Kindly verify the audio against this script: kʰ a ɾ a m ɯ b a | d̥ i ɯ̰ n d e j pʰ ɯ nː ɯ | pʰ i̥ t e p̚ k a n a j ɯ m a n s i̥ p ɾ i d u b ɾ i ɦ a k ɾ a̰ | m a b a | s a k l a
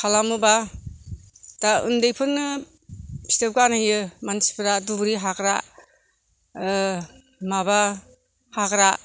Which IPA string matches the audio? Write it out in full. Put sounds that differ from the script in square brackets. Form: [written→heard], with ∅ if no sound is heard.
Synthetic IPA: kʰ a [ɾ→l] a m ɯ b a | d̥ [i→a] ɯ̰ n d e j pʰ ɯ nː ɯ | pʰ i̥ t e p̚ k a n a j ɯ m a n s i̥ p ɾ [i→a] d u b ɾ i ɦ a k ɾ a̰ | m a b a | [s→h] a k [l→ɾ] a